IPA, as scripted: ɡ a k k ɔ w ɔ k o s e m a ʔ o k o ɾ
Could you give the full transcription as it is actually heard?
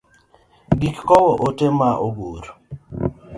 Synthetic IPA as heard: ɡ i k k ɔ w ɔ ʔ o t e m a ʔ o ɡ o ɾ